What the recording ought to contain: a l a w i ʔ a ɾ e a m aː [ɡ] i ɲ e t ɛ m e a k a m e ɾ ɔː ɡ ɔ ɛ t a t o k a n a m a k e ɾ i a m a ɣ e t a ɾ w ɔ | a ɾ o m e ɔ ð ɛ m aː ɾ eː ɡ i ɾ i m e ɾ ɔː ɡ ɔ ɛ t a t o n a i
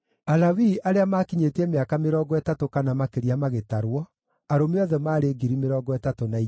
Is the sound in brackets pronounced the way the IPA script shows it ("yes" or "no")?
no